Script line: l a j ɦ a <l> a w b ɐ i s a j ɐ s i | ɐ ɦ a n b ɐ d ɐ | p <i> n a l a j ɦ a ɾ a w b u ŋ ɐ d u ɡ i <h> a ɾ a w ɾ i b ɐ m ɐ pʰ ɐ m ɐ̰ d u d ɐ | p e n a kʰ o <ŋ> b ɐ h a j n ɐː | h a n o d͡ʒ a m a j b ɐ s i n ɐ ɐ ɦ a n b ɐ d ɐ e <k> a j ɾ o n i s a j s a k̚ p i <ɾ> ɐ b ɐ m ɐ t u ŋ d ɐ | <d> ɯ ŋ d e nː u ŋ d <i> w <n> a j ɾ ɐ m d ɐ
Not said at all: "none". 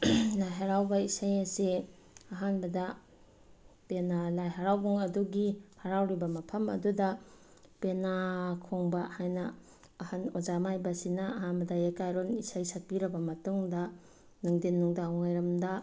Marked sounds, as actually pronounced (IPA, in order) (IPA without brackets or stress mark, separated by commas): ɾ, e, h, ŋ, k, ɾ, n, a, ŋ